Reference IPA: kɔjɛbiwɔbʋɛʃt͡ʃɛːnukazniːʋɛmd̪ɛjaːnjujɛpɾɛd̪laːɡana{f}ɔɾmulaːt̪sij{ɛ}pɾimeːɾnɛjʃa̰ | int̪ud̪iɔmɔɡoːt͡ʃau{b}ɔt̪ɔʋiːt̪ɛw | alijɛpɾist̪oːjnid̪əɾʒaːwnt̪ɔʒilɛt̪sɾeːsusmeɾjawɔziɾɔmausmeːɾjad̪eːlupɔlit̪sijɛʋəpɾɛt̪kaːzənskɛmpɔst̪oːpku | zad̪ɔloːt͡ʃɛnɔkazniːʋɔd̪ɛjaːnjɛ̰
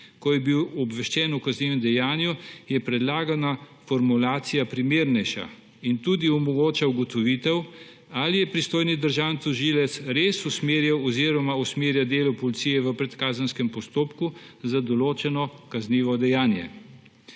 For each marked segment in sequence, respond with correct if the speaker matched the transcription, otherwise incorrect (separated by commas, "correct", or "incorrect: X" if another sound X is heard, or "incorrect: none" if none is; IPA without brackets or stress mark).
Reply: correct, incorrect: a, incorrect: ɡ